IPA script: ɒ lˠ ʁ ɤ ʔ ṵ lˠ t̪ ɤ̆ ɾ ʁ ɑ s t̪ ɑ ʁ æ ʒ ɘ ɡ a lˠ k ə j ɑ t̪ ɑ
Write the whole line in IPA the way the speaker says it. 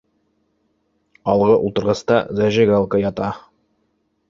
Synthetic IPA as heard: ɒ lˠ ʁ ɤ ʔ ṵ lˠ t̪ ɤ̆ ɾ ʁ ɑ s t̪ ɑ z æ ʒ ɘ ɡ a lˠ k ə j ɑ t̪ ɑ

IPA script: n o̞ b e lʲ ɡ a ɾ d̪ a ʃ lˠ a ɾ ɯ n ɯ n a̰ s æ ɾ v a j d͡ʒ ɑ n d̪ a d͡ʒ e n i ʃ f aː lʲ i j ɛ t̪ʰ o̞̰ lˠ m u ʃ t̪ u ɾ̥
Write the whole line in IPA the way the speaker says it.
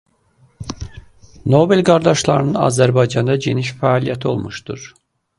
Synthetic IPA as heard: n o̞ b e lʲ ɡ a ɾ d̪ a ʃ lˠ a ɾ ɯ n ɯ n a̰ z æ ɾ b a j d͡ʒ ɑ n d̪ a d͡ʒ e n i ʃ f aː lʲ i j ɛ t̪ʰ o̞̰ lˠ m u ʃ t̪ u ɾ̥

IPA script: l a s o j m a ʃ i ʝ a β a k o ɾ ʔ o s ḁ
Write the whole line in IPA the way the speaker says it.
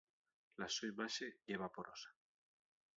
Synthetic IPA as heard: l a s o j m a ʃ e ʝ e β a p o ɾ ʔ o s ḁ

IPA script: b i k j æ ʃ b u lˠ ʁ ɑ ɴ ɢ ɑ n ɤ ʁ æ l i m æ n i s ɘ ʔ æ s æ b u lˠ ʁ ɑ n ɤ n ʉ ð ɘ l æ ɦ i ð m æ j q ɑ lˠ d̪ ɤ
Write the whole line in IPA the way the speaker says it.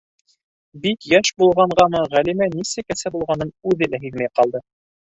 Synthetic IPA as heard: b i k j æ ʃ b u lˠ ʁ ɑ ɴ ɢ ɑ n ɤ ʁ æ l i m æ n i s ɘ k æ s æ b u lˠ ʁ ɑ n ɤ n ʉ ð ɘ l æ ɦ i ð m æ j q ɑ lˠ d̪ ɤ

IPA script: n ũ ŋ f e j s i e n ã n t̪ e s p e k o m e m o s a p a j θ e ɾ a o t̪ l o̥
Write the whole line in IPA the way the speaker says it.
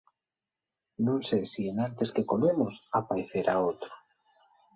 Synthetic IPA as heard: n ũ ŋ s e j s i e n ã n t̪ e s k e k o m e m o s a p a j θ e ɾ a o t̪ ɾ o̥

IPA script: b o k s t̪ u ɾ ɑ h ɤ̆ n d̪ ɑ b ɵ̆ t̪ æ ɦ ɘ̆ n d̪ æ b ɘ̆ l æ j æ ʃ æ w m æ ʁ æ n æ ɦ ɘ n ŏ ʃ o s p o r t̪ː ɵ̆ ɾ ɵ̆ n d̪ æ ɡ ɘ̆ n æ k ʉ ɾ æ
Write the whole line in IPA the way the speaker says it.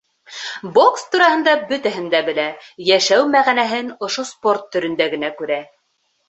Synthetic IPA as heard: b o k s t̪ u ɾ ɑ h ɤ̆ n d̪ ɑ b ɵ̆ t̪ æ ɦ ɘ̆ n d̪ æ b ɘ̆ l æ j æ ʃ æ w m æ ʁ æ n æ ɦ ɘ n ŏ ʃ o s p o r t̪ː ɵ̆ ɾ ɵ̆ n d̪ æ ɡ ɘ̆ n æ k ʉ ɾ æ

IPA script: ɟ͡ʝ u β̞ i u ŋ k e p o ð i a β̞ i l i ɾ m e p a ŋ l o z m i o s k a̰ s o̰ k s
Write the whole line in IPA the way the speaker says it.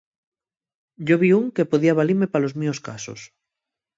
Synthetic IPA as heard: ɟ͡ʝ o β̞ i u ŋ k e p o ð i a β̞ a l i ɾ m e p a l o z m i o s k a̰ s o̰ s

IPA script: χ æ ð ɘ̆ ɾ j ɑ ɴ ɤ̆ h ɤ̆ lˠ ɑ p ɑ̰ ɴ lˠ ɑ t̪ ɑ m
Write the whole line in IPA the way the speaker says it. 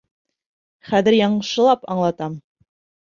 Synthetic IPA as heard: χ æ ð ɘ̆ ɾ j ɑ ɴ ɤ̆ ʃ ɤ̆ lˠ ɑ p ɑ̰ ɴ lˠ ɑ t̪ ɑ m

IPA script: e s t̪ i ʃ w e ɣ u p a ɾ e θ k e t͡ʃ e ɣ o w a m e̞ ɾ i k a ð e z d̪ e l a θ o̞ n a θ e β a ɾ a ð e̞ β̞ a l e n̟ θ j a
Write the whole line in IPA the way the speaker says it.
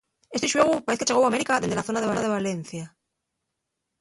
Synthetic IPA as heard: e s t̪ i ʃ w e ɣ u p a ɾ e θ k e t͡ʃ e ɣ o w a m e̞ ɾ i k a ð e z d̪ e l a θ o̞ n a ð e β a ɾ a ð e̞ β̞ a l e n̟ θ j a

